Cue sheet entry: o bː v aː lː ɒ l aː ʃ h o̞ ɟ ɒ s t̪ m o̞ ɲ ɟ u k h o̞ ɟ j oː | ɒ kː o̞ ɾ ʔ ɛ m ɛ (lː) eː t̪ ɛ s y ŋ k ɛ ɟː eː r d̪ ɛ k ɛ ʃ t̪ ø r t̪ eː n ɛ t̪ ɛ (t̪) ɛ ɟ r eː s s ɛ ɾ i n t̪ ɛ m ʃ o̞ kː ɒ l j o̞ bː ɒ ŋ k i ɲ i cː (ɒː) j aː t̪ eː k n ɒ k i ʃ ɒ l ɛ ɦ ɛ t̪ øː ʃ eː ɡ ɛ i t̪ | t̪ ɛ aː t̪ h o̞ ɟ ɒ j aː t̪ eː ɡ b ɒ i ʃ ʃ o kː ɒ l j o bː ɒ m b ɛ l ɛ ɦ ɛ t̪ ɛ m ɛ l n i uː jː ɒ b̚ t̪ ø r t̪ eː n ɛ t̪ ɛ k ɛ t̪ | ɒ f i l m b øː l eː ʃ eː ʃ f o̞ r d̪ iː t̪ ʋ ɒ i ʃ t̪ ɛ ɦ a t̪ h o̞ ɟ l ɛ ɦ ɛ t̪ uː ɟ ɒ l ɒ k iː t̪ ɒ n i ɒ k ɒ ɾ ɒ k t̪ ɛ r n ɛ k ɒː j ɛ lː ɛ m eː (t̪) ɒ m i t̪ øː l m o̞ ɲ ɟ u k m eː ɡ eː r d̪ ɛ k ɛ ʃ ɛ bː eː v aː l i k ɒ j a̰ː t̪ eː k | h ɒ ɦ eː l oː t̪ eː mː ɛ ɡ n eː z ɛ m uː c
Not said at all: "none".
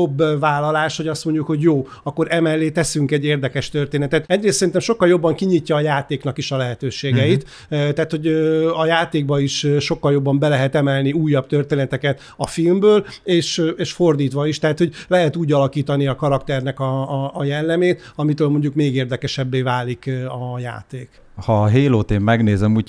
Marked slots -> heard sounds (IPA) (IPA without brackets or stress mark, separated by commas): lː, t̪, ɒː, t̪